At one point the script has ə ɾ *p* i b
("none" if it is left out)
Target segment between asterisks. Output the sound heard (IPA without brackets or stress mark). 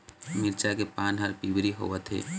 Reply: p